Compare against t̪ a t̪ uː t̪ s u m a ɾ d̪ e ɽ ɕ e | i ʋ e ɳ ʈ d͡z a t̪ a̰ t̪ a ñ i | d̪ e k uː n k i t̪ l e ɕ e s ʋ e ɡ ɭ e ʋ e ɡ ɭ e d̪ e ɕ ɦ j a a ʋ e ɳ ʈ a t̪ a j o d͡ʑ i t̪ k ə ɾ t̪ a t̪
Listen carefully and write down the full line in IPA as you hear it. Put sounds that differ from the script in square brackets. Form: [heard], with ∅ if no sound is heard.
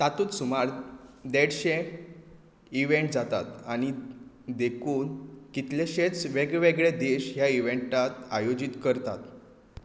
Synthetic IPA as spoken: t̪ a t̪ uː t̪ s u m a ɾ d̪ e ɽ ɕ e | i ʋ e ɳ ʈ d͡z a t̪ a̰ t̪ a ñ i | d̪ e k uː n k i t̪ l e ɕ e [t͡s] ʋ e ɡ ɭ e ʋ e ɡ ɭ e d̪ e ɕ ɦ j a [i] ʋ e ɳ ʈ a t̪ a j o d͡ʑ i t̪ k ə ɾ t̪ a t̪